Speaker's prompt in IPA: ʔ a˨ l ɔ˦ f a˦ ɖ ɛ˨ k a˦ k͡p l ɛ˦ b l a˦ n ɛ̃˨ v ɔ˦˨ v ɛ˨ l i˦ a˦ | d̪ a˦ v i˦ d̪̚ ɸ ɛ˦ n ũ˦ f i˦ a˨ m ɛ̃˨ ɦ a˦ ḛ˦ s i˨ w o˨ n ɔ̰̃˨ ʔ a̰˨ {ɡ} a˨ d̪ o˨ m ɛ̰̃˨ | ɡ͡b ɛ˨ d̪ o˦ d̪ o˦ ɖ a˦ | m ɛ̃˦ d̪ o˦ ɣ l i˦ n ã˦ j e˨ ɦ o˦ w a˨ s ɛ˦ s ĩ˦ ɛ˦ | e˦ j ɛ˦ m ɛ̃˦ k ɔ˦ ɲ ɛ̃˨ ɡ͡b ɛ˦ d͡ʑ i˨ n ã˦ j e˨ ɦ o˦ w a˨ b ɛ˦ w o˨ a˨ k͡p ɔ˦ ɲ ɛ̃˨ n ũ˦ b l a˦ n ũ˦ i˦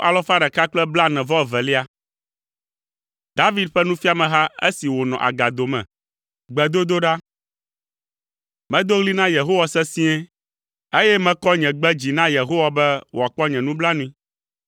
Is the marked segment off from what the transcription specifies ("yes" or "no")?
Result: no